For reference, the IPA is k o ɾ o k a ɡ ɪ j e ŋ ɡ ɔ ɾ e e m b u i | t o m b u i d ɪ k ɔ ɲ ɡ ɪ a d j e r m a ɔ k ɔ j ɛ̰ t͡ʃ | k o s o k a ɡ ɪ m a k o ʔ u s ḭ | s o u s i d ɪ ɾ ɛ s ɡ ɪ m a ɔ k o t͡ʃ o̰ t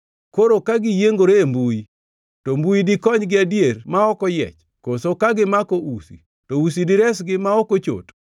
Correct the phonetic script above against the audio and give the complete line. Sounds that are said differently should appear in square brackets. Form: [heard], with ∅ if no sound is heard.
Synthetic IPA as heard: k o ɾ o k a ɡ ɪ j e ŋ ɡ [o] ɾ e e m b u i | t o m b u i d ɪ k ɔ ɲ ɡ ɪ a d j e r m a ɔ k ɔ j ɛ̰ t͡ʃ | k o s o k a ɡ ɪ m a k o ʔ u s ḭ | [t] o u s i d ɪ ɾ ɛ s ɡ ɪ m a ɔ k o t͡ʃ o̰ t

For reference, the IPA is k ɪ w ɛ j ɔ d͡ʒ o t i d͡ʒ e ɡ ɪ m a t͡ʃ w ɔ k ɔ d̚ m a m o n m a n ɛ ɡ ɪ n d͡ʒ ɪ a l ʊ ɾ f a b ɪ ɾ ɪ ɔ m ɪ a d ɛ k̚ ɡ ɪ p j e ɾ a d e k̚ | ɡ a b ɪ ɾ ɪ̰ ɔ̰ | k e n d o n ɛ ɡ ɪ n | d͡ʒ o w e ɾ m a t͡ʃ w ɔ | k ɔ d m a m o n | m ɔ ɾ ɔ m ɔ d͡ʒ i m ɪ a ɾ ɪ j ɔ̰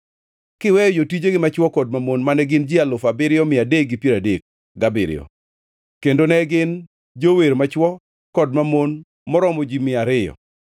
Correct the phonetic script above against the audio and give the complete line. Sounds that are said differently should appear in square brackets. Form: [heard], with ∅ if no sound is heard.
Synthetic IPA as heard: k ɪ w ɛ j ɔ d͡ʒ o t i d͡ʒ e ɡ ɪ m a t͡ʃ w ɔ k ɔ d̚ m a m o n m a n ɛ ɡ ɪ n d͡ʒ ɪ a l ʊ [∅] f a b ɪ ɾ ɪ ɔ m ɪ a d [e] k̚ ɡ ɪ p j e ɾ a d e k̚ | ɡ a b ɪ ɾ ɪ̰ ɔ̰ | k e n d o n ɛ ɡ ɪ n | d͡ʒ o w e ɾ m a t͡ʃ w ɔ | k ɔ d m a m o n | m ɔ ɾ ɔ m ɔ d͡ʒ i m ɪ a ɾ ɪ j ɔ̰

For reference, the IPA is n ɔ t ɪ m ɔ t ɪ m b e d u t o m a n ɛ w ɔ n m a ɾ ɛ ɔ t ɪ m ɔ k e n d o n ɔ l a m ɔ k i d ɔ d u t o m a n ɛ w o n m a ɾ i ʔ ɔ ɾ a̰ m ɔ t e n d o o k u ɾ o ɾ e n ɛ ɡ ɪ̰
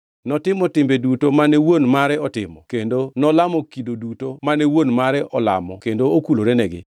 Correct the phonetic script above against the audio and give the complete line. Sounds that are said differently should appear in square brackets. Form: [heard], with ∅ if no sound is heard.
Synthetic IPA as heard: n ɔ t ɪ m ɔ t ɪ m b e d u t o m a n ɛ w [o] n m a ɾ ɛ ɔ t ɪ m ɔ k e n d o n ɔ l a m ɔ k i d [o] d u t o m a n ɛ w o n m a ɾ [ɛ] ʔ ɔ [l] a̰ m ɔ [k] e n d o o k u [l] o ɾ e n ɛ ɡ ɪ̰

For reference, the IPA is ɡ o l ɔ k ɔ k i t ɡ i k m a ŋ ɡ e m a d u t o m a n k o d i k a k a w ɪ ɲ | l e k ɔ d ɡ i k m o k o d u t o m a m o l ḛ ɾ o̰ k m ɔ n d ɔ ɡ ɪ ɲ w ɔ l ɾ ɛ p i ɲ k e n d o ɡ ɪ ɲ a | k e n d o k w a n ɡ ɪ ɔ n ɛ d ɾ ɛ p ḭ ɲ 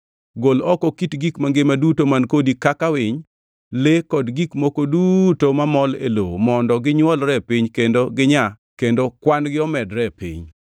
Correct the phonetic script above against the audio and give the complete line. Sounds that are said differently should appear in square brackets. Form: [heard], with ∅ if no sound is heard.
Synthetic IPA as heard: ɡ o l ɔ k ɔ k i t ɡ i k m a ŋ ɡ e m a d u t o m a n k o d i k a k a w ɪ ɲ | l e k ɔ d ɡ i k m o k o d u t o m a m [ɔ] l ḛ [l] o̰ [∅] m ɔ n d ɔ ɡ ɪ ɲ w ɔ l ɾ ɛ p i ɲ k e n d o ɡ ɪ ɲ a | k e n d o k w a n ɡ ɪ ɔ [m] ɛ d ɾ ɛ p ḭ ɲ

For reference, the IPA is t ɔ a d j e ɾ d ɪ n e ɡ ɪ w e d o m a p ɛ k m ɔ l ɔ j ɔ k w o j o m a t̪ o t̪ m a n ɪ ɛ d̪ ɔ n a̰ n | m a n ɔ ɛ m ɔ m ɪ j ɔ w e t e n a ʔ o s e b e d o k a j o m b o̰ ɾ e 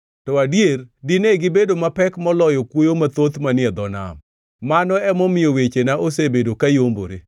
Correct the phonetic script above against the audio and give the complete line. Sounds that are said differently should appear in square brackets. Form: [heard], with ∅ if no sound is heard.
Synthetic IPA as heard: t ɔ a d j e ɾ d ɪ n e ɡ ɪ [b] e d o m a p ɛ k m ɔ l ɔ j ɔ k w o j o m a t̪ o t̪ m a n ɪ ɛ d̪ ɔ n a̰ [m] | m a n ɔ ɛ m ɔ m ɪ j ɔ w e [t͡ʃ] e n a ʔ o s e b e d o k a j o m b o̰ ɾ e

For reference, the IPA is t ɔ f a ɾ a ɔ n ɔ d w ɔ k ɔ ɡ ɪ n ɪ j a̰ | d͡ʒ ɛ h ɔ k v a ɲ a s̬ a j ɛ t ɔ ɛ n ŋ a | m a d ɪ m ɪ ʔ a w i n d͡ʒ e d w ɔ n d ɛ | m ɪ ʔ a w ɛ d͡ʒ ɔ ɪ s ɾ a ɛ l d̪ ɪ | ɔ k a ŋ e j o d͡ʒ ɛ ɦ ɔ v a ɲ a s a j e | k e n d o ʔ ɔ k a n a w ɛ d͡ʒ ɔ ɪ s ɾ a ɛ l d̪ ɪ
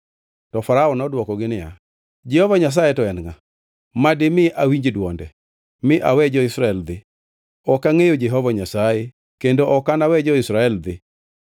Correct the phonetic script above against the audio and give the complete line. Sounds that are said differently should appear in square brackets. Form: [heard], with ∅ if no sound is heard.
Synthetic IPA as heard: t ɔ f a ɾ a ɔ n ɔ d w ɔ k ɔ ɡ ɪ n ɪ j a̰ | d͡ʒ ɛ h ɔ [∅] v a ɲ a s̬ a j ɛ t ɔ ɛ n ŋ a | m a d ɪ m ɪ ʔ a w i [ɲ] d͡ʒ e d w ɔ n d ɛ | m ɪ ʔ a w ɛ d͡ʒ ɔ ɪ s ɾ a ɛ l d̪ ɪ | ɔ k a ŋ e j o d͡ʒ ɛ ɦ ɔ v a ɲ a s a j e | k e n d o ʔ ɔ k a n a w ɛ d͡ʒ ɔ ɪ s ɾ a ɛ l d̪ ɪ

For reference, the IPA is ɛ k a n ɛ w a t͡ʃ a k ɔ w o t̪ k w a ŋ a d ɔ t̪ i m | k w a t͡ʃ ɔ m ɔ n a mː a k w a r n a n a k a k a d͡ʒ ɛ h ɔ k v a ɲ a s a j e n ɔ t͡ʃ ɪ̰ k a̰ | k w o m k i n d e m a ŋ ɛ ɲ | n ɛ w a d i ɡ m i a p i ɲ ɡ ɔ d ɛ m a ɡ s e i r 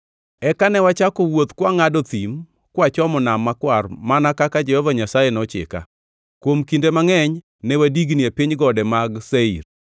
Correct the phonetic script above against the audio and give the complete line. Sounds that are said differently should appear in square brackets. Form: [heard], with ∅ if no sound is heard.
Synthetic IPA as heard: ɛ k a n ɛ w a t͡ʃ a k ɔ w o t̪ k w a ŋ a d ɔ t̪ i m | k w a t͡ʃ ɔ m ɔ n a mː a k w a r [m] a n a k a k a d͡ʒ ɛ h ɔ [∅] v a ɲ a s a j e n ɔ t͡ʃ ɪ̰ k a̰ | k w o m k i n d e m a ŋ ɛ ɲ | n ɛ w a d i ɡ [n] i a p i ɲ ɡ ɔ d ɛ m a ɡ s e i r

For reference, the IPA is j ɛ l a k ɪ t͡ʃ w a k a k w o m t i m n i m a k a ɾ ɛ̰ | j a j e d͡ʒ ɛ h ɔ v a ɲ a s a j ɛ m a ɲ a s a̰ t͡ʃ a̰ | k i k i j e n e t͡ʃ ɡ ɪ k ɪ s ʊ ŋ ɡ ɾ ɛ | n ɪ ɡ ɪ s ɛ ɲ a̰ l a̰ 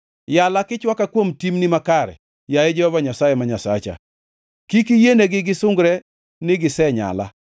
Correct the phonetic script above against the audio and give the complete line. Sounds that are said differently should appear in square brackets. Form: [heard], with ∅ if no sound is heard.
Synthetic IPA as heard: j [a] l a k ɪ t͡ʃ w a k a k w o m t i m n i m a k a ɾ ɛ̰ | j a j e d͡ʒ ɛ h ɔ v a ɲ a s a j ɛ m a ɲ a s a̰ t͡ʃ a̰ | k i k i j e n e [∅] ɡ ɪ [ɡ] ɪ s ʊ ŋ ɡ ɾ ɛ | n ɪ ɡ ɪ s ɛ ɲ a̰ l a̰

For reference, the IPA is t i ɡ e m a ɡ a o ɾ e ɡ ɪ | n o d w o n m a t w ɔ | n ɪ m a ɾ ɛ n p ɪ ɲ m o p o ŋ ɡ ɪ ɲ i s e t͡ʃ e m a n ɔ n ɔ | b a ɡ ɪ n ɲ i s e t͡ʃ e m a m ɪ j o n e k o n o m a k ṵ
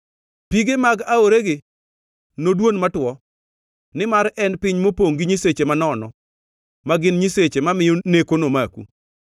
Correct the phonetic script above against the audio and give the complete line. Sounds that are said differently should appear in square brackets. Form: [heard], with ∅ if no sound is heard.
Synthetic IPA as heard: [p] i ɡ e m a ɡ a o ɾ e ɡ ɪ | n o d w o n m a t w ɔ | n ɪ m a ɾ ɛ n p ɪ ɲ m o p o ŋ ɡ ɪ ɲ i s e t͡ʃ e m a n ɔ n ɔ | [m] a ɡ ɪ n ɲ i s e t͡ʃ e m a m ɪ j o n e k o n o m a k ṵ

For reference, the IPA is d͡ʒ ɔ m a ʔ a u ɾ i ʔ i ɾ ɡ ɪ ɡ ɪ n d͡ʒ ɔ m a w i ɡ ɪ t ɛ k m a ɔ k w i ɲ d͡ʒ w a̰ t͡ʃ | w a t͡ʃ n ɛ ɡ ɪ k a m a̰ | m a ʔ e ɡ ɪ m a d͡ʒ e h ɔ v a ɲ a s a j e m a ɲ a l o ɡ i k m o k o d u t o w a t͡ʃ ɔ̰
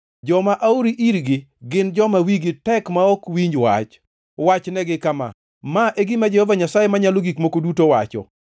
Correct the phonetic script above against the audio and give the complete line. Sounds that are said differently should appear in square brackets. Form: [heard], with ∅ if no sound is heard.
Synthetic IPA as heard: d͡ʒ ɔ m a ʔ a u ɾ i ʔ i ɾ ɡ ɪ ɡ ɪ n d͡ʒ ɔ m a w i ɡ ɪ t ɛ k m a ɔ k w i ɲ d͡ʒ w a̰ t͡ʃ | w a t͡ʃ n ɛ ɡ ɪ k a m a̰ | m a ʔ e ɡ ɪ m a d͡ʒ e h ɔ v a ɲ a s a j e m a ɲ a l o ɡ i k m o k o d u t o w a t͡ʃ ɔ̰

